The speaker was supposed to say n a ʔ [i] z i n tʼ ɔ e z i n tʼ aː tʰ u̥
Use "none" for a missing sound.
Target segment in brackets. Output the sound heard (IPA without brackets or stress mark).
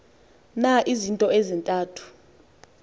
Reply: i